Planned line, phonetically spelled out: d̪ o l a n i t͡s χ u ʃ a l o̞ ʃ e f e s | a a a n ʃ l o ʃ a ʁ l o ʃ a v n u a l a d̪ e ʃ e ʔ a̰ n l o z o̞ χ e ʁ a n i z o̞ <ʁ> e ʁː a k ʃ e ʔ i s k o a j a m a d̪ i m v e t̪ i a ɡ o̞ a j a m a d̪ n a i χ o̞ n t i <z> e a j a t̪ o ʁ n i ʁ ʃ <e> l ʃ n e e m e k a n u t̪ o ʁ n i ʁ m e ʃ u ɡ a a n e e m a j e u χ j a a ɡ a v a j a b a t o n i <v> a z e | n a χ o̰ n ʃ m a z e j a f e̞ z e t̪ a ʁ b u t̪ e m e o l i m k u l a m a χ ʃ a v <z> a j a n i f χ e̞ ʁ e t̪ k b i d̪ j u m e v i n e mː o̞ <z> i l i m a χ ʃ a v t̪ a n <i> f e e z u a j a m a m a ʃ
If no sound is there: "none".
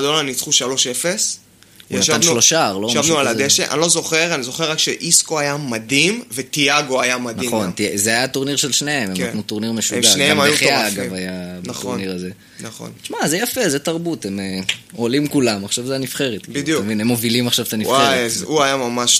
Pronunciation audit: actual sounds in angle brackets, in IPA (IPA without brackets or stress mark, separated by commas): χ, z, e, ʁ, z, v, i